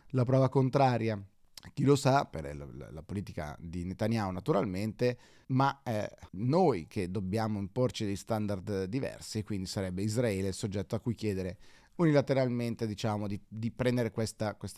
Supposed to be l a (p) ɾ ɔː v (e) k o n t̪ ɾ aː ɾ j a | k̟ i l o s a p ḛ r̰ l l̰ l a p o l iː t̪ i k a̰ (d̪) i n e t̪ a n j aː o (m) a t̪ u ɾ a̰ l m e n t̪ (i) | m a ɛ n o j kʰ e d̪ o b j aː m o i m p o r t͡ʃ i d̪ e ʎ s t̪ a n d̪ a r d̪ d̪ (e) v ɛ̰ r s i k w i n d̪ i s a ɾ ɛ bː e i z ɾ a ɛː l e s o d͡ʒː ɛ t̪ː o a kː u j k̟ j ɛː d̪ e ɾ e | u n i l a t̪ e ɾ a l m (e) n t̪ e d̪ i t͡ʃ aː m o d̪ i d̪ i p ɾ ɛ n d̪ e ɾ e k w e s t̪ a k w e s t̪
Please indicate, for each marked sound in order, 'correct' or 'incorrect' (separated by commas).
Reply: correct, incorrect, correct, incorrect, incorrect, incorrect, correct